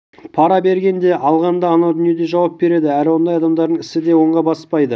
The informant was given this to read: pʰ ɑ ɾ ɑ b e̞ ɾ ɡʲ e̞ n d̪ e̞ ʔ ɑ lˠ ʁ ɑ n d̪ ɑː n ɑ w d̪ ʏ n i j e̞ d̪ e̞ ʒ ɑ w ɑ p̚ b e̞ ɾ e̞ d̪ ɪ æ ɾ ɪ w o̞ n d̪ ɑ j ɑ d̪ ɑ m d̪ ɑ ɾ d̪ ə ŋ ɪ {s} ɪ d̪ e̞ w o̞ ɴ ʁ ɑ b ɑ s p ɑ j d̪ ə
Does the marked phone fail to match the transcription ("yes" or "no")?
no